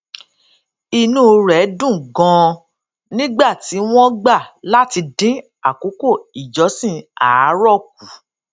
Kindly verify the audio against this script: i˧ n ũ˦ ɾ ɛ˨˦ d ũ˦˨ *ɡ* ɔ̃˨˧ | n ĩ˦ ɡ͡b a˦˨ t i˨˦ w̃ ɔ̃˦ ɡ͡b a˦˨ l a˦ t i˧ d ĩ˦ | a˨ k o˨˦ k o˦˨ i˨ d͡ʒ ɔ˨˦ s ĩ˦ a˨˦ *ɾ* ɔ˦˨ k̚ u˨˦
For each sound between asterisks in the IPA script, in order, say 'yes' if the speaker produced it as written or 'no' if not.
yes, yes

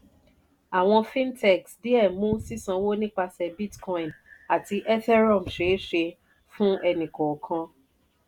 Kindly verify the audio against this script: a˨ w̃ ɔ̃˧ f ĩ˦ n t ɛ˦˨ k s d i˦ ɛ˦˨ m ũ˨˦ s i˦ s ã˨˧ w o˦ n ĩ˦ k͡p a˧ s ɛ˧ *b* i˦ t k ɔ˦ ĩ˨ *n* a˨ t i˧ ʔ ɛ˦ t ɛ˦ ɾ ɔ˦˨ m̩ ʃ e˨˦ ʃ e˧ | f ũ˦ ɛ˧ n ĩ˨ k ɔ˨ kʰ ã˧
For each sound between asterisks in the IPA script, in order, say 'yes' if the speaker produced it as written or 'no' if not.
yes, yes

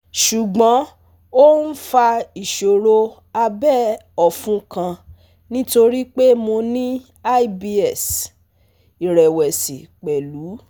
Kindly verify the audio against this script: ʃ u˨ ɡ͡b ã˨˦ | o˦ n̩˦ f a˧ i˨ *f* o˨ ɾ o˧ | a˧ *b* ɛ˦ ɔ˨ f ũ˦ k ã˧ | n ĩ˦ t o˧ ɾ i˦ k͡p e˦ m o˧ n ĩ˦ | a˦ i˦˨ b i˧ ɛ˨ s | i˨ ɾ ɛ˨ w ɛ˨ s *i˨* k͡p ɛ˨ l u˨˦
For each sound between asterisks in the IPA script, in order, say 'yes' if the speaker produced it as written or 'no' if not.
no, yes, yes

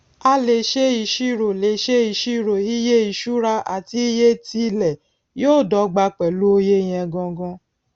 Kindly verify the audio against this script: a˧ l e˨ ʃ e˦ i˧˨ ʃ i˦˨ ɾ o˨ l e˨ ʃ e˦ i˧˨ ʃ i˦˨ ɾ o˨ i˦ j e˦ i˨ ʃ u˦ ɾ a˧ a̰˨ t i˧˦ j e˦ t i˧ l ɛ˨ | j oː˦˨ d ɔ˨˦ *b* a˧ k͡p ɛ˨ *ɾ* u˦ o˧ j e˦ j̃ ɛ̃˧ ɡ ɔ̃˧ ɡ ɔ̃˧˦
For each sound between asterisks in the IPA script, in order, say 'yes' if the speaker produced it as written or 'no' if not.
no, no

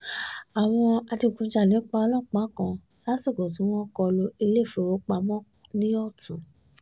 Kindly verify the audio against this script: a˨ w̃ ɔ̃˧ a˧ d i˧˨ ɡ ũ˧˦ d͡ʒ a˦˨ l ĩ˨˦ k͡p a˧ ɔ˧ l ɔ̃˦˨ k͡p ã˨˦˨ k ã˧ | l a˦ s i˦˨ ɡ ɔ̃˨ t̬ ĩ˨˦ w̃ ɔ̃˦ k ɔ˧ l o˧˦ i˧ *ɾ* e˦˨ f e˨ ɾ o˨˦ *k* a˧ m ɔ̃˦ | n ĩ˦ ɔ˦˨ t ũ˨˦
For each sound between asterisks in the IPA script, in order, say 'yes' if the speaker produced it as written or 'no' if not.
no, no

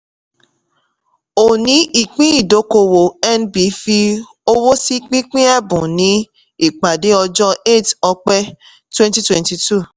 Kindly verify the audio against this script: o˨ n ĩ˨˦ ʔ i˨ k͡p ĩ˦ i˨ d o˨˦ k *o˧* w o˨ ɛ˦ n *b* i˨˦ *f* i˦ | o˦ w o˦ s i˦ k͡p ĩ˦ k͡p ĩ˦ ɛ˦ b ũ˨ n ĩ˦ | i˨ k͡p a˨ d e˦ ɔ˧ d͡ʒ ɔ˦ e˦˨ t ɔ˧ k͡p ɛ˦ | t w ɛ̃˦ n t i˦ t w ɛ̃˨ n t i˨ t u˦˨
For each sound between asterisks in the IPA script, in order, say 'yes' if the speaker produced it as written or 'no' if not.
yes, yes, yes

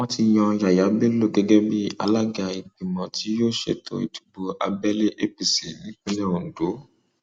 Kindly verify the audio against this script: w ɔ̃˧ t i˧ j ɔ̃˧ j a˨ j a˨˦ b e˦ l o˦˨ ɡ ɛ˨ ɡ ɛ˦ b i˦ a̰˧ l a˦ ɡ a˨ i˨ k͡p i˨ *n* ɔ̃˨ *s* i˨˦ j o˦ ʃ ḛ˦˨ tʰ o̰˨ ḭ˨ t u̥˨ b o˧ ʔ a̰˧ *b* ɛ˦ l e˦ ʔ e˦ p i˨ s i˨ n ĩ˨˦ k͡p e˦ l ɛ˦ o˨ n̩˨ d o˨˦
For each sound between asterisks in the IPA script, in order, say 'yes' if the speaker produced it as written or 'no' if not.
no, no, yes

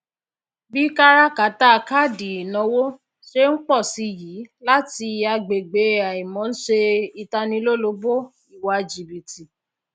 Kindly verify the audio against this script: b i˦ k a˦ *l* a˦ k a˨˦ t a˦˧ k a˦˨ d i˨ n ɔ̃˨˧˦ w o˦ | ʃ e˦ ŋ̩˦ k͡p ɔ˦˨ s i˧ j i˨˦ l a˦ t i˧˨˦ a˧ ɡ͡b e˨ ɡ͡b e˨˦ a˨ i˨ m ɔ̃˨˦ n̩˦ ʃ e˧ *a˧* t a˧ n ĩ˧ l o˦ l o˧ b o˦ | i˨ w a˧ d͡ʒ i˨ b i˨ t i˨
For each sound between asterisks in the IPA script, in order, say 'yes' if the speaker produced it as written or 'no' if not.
no, no

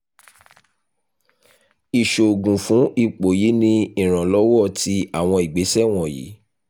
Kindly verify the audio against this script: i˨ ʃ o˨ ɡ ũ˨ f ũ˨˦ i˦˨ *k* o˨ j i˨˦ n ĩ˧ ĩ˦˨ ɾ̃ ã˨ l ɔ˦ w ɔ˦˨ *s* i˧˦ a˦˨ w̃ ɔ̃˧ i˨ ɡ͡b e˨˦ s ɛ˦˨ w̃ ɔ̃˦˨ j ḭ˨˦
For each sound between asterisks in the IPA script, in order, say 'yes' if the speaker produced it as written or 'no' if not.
no, no

